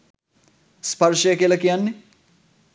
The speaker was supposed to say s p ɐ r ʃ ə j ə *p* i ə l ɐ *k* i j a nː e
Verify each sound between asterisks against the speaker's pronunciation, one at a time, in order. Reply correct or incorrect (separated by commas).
incorrect, correct